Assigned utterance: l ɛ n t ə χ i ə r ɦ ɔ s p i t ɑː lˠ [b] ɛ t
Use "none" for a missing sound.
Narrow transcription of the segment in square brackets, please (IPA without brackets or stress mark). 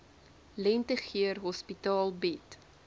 b